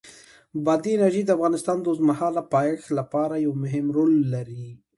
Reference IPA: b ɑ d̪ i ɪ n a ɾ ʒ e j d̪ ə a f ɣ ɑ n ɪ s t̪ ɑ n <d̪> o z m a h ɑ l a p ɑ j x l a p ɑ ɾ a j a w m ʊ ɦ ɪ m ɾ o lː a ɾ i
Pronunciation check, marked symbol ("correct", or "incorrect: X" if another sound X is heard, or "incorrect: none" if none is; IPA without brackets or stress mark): correct